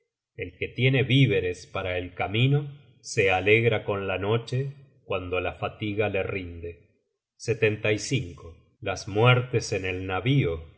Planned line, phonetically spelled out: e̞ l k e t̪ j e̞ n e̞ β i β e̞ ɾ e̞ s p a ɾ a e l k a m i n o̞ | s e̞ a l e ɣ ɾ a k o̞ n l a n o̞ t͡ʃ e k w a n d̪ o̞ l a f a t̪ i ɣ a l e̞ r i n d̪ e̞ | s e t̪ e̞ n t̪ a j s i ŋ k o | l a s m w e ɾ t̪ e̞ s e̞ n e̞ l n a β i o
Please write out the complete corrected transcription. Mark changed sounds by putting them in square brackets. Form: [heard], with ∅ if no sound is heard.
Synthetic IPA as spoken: e̞ l k e t̪ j e̞ n e̞ β i β e̞ ɾ e̞ s p a ɾ a e l k a m i n o̞ | s e̞ a l e ɣ ɾ a k o̞ n l a n o̞ t͡ʃ e k w a n d̪ o̞ l a f a t̪ i ɣ a l e̞ r i n d̪ e̞ | s e t̪ e̞ n t̪ a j s i ŋ k o | l a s m w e ɾ t̪ e̞ s e̞ n e̞ l n a β i o